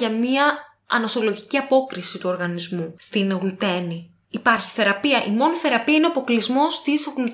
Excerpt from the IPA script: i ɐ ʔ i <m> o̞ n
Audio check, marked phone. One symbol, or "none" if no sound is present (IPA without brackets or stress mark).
m